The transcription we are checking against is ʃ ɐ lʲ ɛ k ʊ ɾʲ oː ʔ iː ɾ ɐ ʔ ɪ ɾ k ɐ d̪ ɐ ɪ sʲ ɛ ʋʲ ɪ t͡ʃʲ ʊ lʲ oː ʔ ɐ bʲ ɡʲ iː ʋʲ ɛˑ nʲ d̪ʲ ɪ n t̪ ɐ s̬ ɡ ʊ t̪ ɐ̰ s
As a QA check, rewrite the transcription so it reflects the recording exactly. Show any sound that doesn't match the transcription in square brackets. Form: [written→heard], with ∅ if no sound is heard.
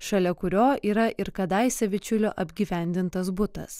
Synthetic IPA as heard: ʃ ɐ lʲ ɛ k ʊ ɾʲ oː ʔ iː ɾ ɐ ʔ ɪ ɾ k ɐ d̪ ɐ ɪ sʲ ɛ ʋʲ ɪ t͡ʃʲ ʊ lʲ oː ʔ ɐ bʲ ɡʲ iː ʋʲ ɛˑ nʲ d̪ʲ ɪ n t̪ ɐ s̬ [ɡ→b] ʊ t̪ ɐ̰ s